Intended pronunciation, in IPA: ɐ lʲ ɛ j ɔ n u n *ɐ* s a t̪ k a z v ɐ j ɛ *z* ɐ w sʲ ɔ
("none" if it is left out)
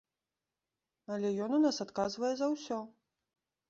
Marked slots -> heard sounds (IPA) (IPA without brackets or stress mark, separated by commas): a, z